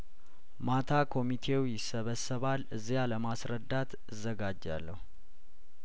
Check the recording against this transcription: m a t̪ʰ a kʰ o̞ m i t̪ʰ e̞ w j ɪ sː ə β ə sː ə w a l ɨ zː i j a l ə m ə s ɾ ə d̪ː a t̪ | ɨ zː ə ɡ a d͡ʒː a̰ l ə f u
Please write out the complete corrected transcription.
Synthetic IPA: m a t̪ʰ a kʰ o̞ m i t̪ʰ e̞ w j ɪ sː ə β ə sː ə β a l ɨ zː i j a l ə m a s ɾ ə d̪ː a t̪ | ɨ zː ə ɡ a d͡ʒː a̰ lː ə h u